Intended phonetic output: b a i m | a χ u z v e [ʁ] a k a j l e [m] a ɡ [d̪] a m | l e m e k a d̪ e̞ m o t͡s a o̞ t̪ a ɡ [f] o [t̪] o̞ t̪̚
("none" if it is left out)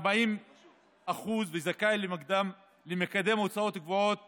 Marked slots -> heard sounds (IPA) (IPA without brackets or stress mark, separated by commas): z, m, d̪, v, none